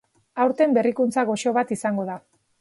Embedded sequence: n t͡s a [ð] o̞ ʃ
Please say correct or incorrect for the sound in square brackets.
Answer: incorrect